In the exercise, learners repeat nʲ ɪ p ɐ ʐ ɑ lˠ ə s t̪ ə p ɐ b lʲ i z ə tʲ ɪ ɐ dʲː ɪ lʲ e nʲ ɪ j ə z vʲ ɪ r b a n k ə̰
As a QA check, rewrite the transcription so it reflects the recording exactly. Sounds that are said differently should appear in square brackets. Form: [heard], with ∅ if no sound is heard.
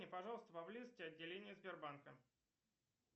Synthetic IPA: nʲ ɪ p ɐ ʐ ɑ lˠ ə s t̪ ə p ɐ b lʲ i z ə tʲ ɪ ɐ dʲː ɪ lʲ e nʲ ɪ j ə z [bʲ] ɪ r b a n k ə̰